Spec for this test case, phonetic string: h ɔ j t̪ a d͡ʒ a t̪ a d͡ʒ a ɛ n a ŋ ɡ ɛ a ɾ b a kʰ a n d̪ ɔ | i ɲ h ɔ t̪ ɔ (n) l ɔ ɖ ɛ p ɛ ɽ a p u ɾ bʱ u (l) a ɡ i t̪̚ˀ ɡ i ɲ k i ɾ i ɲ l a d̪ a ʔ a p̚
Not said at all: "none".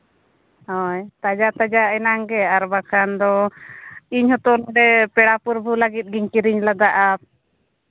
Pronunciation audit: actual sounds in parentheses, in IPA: none, l

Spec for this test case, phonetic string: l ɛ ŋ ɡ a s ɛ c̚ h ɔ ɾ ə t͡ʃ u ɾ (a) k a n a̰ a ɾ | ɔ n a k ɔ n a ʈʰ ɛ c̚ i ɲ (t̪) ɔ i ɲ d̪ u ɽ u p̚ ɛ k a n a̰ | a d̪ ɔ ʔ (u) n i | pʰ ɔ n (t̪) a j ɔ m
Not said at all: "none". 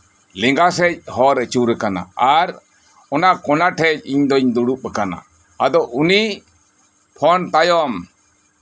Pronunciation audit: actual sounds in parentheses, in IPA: ɛ, d̪, u, t̪

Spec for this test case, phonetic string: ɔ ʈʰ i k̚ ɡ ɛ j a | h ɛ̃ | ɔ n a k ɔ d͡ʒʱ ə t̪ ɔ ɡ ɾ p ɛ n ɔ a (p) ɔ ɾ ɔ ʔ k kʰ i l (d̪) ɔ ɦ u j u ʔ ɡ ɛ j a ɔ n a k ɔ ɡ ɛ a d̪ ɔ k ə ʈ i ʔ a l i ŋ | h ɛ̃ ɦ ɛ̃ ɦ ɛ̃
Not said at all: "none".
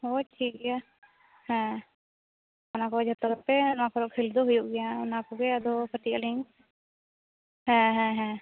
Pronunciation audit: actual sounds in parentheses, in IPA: k, d̪

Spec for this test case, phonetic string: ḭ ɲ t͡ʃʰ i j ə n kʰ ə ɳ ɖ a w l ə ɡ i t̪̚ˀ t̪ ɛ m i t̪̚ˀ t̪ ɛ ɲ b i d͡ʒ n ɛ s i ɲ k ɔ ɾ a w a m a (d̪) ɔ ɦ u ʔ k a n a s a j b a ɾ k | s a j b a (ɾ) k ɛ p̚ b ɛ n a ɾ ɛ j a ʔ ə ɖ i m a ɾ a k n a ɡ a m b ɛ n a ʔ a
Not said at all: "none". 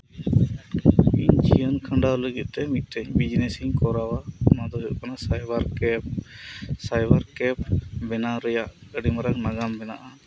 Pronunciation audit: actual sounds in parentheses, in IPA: d̪, ɾ

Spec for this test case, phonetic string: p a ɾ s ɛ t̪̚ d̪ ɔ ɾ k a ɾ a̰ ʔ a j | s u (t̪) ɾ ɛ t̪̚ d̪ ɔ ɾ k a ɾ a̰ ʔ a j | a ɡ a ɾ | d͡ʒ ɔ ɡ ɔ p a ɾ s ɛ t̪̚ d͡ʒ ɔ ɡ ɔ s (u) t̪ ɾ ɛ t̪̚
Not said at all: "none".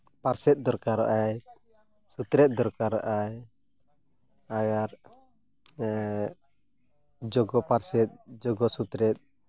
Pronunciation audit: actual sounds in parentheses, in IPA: t̪, u

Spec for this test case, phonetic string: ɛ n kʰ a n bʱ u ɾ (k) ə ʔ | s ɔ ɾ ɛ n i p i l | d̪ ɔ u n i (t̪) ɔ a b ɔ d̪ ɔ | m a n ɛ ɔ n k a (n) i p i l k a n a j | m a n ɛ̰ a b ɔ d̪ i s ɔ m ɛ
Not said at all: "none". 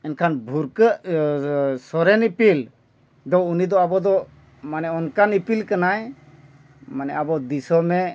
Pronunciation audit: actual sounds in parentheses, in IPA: k, d̪, n

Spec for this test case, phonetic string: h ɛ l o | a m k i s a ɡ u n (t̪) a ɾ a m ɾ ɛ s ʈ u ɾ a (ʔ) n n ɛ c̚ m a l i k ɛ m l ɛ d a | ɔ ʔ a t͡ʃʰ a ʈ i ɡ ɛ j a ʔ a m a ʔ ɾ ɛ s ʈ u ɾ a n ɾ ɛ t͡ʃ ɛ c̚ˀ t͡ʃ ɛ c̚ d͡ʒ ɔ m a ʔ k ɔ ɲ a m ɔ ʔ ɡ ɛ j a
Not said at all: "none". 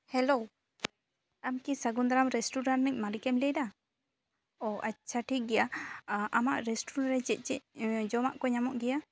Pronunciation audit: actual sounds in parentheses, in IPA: d̪, none

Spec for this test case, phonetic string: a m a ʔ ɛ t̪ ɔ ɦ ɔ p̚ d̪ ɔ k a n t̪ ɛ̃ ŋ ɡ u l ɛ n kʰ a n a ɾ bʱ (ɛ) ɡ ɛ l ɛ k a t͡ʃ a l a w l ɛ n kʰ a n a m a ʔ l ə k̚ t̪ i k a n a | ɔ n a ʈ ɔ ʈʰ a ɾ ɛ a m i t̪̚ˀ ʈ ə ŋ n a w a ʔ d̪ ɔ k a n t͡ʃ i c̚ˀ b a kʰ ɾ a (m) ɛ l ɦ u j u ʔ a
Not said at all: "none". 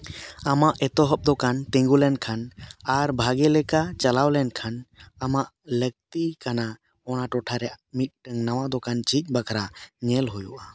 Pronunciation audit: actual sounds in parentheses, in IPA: a, ɲ

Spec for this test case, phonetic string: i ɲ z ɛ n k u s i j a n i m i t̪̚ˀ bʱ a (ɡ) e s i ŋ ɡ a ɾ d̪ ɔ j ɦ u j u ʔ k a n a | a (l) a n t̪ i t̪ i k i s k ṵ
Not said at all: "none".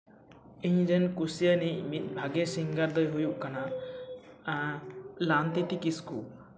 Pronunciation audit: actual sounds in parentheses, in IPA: ɡ, l

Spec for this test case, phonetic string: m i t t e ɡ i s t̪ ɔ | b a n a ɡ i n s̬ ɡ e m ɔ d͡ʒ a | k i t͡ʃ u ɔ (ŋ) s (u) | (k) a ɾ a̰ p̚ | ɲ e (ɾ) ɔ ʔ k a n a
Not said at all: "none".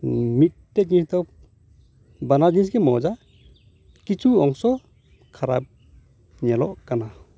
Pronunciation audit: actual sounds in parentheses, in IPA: ŋ, ɔ, kʰ, l

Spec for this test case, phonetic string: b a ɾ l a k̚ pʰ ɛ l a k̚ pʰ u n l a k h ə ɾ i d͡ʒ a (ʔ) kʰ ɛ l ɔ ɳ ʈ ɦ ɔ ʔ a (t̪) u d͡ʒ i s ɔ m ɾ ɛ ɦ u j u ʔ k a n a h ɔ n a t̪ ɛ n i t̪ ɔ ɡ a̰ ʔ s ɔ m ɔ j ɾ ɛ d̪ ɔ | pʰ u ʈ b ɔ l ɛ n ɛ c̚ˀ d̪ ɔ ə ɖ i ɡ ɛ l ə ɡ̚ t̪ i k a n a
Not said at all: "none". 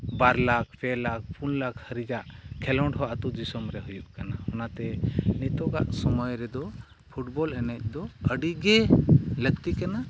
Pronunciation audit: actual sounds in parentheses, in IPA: ʔ, t̪

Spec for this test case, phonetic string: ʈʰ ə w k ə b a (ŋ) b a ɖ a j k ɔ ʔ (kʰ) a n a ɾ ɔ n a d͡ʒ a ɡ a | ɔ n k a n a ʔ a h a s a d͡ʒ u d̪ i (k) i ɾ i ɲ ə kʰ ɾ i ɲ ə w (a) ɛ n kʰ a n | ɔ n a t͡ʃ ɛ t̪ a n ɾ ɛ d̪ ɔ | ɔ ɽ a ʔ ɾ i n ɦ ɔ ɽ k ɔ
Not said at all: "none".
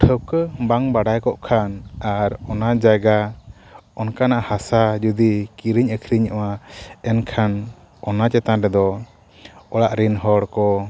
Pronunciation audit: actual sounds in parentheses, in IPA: ŋ, kʰ, k, a

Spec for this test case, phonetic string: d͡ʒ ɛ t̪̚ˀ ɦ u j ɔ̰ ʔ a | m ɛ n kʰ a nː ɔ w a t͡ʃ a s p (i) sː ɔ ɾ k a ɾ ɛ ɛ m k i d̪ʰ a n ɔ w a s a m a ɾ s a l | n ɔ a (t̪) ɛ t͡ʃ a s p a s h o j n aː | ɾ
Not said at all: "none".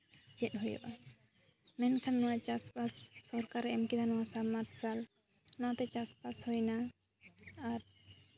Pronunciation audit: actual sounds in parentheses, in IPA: a, t̪

